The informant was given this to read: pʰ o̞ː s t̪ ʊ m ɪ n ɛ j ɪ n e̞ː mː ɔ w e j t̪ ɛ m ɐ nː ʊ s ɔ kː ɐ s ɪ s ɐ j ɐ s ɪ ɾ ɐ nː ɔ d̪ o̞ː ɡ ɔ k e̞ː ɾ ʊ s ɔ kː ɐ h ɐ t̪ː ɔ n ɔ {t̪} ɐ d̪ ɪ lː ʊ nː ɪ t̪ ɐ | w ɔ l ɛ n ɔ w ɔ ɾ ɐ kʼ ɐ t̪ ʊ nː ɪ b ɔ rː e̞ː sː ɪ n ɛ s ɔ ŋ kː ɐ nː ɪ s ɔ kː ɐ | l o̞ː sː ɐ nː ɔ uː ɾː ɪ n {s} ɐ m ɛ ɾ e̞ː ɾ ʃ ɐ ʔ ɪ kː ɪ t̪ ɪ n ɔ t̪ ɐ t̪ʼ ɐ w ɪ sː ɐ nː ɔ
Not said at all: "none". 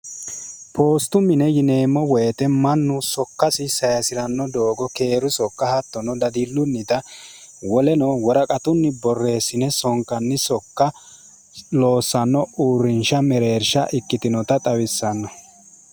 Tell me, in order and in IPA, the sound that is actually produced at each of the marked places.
d̪, ʃ

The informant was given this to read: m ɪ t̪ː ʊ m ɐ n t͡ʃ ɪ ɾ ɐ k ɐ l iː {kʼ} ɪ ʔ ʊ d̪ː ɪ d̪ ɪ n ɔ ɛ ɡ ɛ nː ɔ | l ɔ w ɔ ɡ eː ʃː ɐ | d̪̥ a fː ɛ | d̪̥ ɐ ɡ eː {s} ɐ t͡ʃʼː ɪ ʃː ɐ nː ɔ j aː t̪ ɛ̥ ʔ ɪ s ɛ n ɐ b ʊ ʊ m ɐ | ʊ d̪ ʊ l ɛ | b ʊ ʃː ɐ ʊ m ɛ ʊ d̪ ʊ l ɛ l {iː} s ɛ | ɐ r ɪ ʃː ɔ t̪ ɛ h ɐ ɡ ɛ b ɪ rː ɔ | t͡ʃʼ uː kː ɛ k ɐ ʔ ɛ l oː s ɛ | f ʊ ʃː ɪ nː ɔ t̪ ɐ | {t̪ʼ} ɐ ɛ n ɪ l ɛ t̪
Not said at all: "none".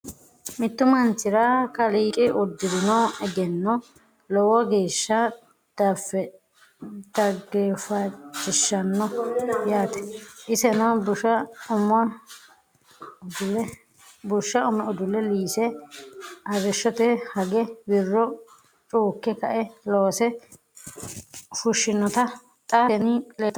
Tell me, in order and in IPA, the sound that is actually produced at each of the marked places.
kʼ, f, iː, t̪ʼ

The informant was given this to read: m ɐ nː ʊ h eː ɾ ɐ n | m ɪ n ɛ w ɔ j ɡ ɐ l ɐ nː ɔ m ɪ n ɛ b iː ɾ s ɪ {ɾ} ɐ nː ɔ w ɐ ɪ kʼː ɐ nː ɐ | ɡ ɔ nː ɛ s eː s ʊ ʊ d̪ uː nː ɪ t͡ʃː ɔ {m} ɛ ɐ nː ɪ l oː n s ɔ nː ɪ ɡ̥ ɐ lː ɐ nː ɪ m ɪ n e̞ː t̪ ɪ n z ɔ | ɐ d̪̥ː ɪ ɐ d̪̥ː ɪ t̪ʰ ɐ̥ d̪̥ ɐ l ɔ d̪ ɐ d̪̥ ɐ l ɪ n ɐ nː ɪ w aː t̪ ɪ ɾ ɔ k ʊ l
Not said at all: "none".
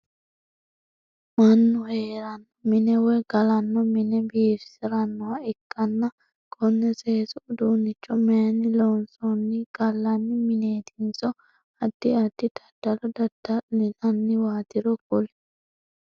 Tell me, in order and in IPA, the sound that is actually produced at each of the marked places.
ɾ, m

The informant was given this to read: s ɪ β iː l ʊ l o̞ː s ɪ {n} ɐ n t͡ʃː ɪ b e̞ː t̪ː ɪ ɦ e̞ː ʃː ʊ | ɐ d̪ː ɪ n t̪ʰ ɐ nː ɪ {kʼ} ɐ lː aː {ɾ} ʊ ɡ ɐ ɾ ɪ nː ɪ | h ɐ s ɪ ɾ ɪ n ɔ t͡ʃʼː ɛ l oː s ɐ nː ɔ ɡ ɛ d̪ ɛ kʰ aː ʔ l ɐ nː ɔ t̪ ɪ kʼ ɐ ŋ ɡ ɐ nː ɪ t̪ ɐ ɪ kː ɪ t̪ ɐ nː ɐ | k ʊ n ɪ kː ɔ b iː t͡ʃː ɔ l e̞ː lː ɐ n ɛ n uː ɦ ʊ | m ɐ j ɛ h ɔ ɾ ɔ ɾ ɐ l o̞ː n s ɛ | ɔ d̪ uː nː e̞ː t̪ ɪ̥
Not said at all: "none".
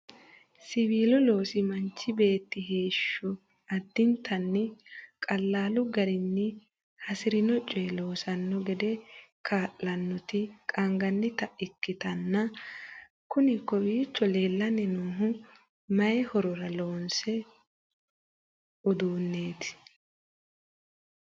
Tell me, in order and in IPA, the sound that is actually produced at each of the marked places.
m, kʼ, l

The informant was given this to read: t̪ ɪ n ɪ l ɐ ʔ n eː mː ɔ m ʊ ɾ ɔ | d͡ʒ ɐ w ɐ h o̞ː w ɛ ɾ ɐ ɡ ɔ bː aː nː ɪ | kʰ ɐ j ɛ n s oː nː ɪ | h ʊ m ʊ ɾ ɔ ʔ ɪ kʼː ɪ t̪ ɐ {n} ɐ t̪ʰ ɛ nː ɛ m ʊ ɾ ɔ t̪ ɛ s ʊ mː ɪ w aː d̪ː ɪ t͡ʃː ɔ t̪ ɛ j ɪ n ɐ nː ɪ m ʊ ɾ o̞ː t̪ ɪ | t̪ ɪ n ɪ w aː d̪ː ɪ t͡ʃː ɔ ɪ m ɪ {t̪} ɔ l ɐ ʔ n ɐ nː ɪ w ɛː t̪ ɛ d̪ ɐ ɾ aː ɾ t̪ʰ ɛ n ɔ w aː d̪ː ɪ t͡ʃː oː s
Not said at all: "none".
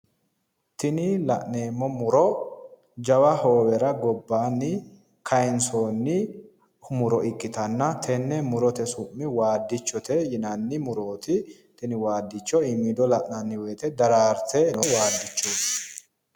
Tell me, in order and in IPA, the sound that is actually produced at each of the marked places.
nː, d̪

